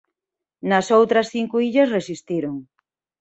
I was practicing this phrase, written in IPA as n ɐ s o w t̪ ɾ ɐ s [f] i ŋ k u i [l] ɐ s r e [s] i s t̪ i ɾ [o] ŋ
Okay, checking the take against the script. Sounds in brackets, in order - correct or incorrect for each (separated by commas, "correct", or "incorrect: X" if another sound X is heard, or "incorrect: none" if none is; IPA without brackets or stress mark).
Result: incorrect: θ, incorrect: ʎ, correct, correct